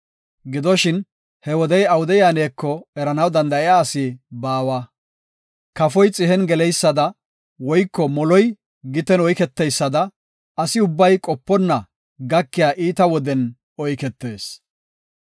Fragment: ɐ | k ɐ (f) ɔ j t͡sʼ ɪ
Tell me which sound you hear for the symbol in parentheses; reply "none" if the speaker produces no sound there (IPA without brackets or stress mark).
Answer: f